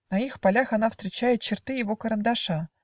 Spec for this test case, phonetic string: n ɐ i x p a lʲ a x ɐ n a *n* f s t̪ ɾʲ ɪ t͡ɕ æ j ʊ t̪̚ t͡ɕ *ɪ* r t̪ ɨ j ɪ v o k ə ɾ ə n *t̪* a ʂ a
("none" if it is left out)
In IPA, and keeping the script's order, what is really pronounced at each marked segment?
none, ɪ, d̪

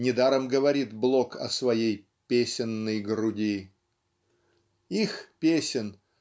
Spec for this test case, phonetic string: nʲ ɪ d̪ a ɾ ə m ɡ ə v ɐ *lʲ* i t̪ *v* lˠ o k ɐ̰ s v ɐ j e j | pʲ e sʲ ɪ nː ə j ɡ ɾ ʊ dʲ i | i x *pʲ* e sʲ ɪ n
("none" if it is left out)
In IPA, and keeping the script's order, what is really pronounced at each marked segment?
ɾʲ, b, pʲ

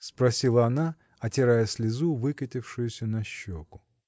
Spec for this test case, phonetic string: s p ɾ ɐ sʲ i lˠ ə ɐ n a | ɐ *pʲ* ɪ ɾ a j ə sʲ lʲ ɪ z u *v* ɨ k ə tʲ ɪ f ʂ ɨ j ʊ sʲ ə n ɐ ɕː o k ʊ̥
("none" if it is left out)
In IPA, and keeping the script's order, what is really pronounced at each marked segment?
tʲ, v

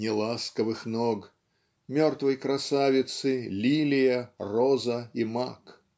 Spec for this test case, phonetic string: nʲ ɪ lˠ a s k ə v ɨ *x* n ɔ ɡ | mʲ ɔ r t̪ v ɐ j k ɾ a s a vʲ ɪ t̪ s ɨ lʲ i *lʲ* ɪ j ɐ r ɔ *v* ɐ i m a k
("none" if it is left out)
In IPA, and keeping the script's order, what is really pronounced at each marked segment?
x, lʲ, z

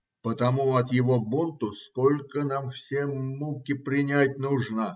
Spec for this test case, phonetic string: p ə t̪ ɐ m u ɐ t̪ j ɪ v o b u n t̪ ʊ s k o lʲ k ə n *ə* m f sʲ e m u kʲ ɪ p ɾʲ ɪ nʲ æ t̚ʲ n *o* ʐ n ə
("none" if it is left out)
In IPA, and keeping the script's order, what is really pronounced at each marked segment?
a, u

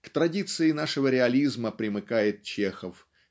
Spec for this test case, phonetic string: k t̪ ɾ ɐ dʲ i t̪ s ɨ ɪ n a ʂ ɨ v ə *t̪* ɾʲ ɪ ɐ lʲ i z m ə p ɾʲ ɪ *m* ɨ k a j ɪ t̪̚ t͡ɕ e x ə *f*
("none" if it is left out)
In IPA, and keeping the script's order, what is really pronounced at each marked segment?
none, m, f

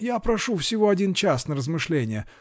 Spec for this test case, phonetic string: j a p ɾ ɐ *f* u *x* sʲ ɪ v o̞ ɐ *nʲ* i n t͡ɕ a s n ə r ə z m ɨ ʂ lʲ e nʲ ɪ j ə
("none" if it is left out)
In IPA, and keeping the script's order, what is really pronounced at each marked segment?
ʂ, f, dʲ

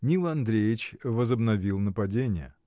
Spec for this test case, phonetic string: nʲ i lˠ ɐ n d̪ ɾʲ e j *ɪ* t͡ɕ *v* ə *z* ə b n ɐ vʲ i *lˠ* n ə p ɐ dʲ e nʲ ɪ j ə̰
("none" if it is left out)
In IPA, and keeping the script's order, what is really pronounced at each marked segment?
ɪ, v, z, lˠ

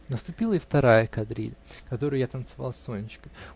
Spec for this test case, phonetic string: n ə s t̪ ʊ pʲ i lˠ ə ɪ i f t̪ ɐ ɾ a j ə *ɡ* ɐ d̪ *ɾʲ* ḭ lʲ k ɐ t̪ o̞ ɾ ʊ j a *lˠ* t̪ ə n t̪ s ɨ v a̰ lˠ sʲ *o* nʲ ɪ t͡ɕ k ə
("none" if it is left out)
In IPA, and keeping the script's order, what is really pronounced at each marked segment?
k, ɾʲ, none, o

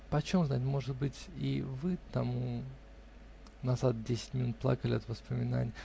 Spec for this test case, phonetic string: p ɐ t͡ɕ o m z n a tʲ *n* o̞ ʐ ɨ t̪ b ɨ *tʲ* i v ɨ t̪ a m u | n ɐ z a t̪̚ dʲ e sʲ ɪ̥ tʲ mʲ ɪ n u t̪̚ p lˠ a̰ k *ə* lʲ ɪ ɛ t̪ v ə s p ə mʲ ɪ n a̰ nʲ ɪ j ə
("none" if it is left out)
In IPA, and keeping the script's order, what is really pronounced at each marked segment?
m, tʲ, ə

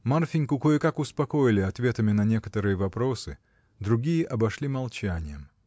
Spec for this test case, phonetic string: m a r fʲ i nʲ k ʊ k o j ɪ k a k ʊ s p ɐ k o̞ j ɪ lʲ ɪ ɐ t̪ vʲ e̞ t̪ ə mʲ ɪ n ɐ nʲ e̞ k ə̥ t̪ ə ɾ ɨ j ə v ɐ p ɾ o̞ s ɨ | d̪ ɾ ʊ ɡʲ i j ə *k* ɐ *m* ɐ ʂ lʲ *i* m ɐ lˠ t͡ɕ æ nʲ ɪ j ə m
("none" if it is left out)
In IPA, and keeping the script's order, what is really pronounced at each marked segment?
ʔ, b, i

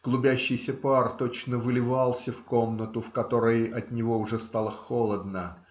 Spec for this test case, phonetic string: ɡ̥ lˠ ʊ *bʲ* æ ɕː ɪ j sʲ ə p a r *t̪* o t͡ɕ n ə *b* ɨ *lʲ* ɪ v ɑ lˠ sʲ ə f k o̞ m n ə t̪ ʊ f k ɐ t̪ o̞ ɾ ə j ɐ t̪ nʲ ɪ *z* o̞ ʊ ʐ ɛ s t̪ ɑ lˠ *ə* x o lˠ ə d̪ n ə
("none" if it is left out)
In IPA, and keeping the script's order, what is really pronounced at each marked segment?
bʲ, t̪, v, lʲ, v, ə

